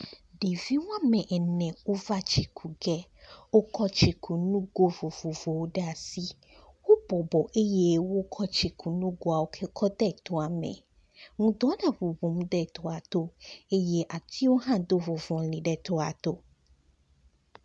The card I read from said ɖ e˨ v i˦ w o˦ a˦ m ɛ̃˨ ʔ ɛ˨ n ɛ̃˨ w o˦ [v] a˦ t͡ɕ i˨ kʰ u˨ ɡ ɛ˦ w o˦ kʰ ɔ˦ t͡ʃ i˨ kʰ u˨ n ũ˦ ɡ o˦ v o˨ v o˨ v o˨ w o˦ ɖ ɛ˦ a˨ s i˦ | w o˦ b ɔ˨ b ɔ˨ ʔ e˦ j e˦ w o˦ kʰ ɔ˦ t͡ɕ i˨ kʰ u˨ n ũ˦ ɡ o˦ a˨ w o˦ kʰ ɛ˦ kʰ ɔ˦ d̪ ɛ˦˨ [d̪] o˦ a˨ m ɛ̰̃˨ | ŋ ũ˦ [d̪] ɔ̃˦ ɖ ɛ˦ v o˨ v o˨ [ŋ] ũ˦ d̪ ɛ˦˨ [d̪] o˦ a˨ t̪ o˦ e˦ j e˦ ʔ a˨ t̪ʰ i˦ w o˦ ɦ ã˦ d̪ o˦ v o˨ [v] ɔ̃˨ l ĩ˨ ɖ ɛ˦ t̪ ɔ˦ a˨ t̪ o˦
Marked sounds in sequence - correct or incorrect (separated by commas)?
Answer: correct, incorrect, correct, incorrect, incorrect, correct